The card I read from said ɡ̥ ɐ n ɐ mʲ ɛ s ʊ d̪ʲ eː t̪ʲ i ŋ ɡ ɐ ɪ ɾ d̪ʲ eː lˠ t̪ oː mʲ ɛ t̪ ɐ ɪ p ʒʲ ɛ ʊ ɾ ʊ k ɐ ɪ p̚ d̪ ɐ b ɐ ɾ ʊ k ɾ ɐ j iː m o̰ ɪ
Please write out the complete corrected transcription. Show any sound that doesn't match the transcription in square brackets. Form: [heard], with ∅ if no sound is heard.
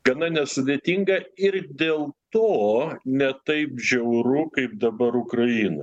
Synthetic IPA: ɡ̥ ɐ n ɐ [nʲ] ɛ s ʊ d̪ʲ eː t̪ʲ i ŋ ɡ ɐ ɪ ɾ d̪ʲ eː lˠ t̪ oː [nʲ] ɛ t̪ ɐ ɪ p ʒʲ ɛ ʊ ɾ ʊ k ɐ ɪ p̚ d̪ ɐ b ɐ ɾ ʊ k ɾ ɐ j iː [n] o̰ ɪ